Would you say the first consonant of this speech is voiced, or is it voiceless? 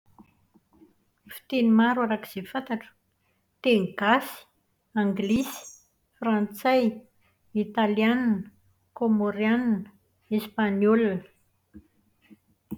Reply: voiceless